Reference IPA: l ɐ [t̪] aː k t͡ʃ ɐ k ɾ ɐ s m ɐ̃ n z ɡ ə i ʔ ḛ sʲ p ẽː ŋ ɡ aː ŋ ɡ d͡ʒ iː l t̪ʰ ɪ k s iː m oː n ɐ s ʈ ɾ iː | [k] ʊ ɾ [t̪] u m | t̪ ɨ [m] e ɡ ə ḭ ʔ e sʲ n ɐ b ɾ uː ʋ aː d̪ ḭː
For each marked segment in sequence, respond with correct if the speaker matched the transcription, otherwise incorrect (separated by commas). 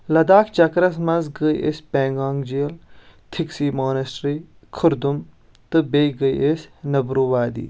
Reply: incorrect, incorrect, incorrect, incorrect